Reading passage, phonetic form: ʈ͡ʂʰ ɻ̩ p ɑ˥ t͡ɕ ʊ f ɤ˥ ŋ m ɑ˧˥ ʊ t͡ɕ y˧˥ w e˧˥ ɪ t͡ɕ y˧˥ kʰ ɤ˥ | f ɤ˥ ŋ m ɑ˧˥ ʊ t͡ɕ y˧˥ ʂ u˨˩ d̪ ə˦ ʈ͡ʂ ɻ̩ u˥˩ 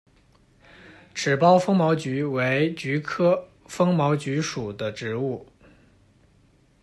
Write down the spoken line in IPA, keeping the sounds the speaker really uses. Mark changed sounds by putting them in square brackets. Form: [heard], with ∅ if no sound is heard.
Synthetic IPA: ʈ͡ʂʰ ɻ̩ p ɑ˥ [∅] ʊ f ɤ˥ ŋ m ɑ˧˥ ʊ t͡ɕ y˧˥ w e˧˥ ɪ t͡ɕ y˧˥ kʰ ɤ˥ | f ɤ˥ ŋ m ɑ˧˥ ʊ t͡ɕ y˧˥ ʂ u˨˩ d̪ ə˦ ʈ͡ʂ ɻ̩ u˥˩